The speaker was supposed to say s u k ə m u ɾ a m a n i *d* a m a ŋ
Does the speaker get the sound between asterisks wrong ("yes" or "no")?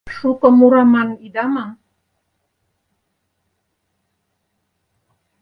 no